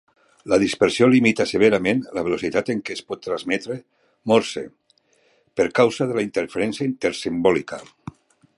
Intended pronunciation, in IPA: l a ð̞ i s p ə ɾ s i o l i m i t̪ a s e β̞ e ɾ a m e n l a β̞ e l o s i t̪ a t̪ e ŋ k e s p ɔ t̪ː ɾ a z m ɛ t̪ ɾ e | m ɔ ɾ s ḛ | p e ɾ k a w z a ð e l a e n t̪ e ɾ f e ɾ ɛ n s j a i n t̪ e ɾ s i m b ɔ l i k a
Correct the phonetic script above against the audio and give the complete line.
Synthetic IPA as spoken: l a ð̞ i s p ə ɾ s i o l i m i t̪ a s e β̞ e ɾ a m e n l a β̞ e l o s i t̪ a t̪ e ŋ k e s p ɔ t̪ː ɾ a z m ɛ t̪ ɾ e | m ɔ ɾ s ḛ | p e ɾ k a w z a ð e l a i n t̪ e ɾ f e ɾ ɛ n s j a i n t̪ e ɾ s i m b ɔ l i k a